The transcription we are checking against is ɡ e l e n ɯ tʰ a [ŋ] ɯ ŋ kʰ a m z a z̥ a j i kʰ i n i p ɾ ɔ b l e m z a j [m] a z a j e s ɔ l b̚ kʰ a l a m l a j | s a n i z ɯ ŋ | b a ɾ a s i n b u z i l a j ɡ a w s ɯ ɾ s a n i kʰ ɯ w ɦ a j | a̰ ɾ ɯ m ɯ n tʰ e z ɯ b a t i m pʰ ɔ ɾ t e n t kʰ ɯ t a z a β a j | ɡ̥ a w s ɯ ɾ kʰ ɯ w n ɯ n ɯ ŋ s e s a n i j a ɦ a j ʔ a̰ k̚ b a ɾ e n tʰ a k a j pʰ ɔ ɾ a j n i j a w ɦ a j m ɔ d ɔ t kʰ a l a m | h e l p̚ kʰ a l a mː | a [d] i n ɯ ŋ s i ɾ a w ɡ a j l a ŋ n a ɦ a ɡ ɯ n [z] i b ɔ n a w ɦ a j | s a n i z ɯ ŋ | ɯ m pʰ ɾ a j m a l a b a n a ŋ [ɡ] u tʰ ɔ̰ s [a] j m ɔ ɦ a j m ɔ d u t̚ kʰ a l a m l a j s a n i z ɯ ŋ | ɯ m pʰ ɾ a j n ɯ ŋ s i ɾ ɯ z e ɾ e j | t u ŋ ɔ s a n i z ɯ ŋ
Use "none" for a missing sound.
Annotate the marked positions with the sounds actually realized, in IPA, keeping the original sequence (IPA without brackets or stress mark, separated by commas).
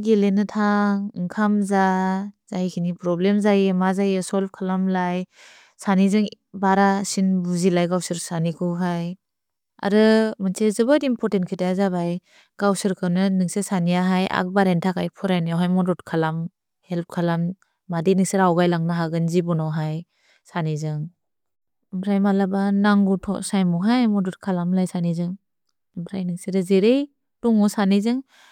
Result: ŋ, m, d, z, ɡ, a